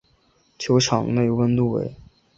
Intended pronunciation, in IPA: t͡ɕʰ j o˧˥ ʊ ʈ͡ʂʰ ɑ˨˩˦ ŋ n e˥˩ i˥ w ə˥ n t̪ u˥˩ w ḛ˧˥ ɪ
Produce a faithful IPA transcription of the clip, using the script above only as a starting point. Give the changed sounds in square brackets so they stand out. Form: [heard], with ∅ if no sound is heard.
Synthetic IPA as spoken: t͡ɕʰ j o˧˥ ʊ ʈ͡ʂʰ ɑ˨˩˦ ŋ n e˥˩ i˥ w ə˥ n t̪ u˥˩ w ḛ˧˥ ɪ